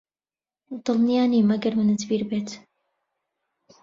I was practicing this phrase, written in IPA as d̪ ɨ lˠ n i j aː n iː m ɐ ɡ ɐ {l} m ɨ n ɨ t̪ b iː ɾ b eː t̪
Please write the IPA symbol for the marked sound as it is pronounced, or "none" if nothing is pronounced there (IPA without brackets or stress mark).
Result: ɾ